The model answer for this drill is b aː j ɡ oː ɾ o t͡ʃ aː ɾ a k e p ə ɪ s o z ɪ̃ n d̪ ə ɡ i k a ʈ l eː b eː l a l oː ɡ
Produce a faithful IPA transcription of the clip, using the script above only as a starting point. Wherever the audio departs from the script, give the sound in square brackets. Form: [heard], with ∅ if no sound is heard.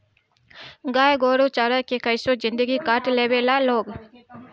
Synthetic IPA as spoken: [ɡ] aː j ɡ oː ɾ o t͡ʃ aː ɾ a k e [k] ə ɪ s o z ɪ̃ n d̪ ə ɡ i k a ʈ l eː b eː l a l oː ɡ